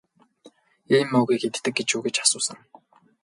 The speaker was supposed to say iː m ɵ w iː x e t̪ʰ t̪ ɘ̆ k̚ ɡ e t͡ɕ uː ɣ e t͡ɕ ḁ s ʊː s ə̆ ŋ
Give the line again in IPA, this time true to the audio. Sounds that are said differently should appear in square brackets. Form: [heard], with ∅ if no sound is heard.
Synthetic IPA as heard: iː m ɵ [ɣ] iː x e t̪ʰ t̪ ɘ̆ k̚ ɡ e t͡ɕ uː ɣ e t͡ɕ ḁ s ʊː s ə̆ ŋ